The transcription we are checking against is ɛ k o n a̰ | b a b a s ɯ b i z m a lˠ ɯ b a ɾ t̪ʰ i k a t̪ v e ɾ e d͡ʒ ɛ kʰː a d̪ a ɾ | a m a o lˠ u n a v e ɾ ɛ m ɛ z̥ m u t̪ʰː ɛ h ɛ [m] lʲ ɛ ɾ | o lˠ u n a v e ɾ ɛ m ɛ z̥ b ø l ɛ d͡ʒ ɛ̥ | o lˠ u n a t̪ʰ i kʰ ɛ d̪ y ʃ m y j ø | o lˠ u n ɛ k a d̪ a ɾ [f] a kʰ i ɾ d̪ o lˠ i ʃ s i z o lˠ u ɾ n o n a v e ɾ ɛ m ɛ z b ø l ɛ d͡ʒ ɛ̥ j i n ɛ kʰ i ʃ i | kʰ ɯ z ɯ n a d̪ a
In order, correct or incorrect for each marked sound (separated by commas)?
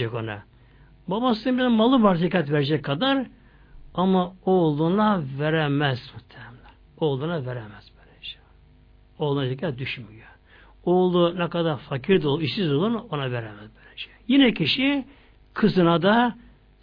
correct, correct